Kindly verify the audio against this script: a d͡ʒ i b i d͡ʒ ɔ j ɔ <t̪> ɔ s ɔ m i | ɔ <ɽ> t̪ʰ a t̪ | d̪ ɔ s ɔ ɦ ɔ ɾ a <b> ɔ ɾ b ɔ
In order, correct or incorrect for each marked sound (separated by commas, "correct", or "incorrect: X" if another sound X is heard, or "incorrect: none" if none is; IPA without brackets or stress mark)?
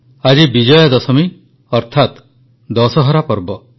incorrect: d̪, incorrect: ɾ, incorrect: p